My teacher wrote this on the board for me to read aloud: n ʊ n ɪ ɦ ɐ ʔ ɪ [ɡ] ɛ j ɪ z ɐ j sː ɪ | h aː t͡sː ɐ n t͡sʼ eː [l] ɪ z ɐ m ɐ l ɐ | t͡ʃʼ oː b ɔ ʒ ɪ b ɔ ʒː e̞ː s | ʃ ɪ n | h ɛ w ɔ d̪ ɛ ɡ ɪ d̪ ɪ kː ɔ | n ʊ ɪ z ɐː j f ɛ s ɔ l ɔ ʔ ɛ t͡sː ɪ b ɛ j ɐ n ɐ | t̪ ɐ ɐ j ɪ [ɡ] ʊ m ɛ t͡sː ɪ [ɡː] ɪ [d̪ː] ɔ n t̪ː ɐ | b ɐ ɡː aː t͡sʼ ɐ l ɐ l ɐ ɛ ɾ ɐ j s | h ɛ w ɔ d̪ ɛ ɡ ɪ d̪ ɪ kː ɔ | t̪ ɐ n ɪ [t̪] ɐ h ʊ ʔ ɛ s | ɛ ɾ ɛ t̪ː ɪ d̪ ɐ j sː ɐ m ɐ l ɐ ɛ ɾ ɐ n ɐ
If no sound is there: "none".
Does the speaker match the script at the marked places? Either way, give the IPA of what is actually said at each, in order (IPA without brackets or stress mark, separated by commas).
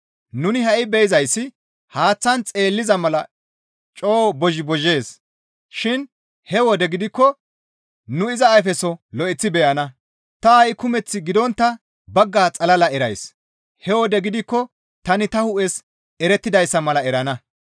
b, lː, k, ɡ, d̪, t̪